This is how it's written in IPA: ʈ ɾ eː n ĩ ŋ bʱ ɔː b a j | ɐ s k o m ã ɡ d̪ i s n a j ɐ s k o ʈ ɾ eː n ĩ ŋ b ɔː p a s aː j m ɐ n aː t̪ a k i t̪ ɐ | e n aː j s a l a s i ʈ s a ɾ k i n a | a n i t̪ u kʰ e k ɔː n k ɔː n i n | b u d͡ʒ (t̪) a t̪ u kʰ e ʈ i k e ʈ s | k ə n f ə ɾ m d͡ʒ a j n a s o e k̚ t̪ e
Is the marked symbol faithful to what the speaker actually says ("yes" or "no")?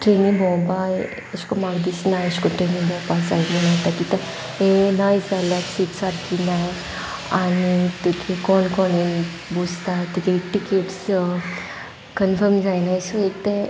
yes